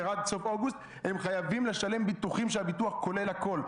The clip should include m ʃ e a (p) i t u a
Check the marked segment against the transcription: incorrect: b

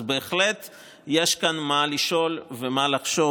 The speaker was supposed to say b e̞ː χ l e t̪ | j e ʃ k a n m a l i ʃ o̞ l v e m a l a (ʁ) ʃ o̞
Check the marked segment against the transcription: incorrect: χ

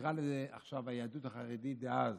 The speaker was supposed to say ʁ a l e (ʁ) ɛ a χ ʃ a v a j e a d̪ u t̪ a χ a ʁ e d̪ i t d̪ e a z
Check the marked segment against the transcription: incorrect: z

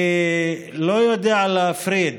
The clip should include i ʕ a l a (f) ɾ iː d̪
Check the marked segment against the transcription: correct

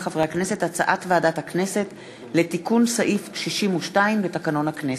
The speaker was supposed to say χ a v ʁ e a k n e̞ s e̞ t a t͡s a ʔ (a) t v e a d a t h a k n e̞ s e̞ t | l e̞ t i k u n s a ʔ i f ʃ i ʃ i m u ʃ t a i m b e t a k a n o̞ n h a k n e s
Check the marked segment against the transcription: correct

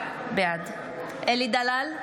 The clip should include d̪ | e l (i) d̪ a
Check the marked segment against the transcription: correct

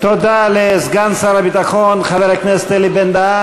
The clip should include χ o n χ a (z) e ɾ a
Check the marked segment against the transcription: incorrect: v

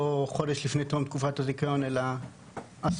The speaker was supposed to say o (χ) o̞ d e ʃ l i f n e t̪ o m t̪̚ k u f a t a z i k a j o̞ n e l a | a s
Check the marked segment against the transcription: correct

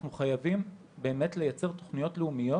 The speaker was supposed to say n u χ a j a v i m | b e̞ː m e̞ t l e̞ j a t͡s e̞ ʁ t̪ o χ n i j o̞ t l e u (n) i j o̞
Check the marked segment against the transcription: incorrect: m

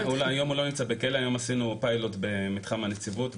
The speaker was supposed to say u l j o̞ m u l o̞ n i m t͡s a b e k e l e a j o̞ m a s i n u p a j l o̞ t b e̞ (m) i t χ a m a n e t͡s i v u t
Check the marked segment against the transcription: correct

